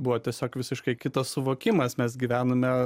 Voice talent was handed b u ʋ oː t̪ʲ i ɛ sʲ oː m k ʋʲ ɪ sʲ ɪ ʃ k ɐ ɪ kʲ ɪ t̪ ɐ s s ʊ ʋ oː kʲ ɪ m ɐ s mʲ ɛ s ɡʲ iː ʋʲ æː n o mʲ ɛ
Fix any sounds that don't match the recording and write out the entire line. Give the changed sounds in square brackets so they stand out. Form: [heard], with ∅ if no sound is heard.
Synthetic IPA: b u ʋ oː t̪ʲ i ɛ sʲ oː [∅] k ʋʲ ɪ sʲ ɪ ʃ k ɐ ɪ kʲ ɪ t̪ ɐ s s ʊ ʋ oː kʲ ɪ m ɐ s mʲ ɛ s ɡʲ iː ʋʲ æː n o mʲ ɛ